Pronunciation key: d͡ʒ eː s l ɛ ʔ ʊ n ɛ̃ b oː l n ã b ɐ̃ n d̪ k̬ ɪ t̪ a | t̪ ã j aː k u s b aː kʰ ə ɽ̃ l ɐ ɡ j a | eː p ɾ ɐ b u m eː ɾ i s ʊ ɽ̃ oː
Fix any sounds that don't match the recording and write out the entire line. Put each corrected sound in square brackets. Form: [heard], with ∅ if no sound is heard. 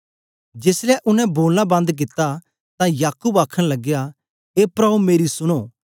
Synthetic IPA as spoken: d͡ʒ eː s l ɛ ʔ ʊ n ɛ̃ b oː l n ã b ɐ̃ n d̪ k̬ ɪ t̪ a | t̪ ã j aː k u [∅] b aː kʰ ə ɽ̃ l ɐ ɡ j a | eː p ɾ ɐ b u m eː ɾ i s ʊ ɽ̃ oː